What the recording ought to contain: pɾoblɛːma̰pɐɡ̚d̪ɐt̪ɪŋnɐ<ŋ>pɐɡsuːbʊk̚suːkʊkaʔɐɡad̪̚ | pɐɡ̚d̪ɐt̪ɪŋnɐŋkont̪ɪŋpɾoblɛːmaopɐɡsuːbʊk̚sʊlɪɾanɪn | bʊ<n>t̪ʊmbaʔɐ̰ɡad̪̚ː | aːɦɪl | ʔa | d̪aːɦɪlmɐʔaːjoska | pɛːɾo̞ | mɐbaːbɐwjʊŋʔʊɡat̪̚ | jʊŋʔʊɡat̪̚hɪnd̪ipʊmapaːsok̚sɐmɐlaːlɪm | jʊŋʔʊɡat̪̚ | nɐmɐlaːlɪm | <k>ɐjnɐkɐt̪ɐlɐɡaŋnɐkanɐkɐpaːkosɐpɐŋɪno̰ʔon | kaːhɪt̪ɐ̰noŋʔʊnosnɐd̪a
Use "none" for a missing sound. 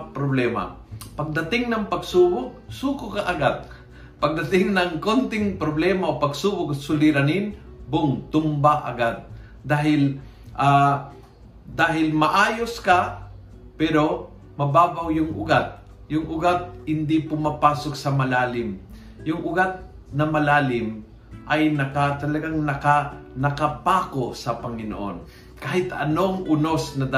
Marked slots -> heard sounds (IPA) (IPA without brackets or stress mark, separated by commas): ŋ, ŋ, ʔ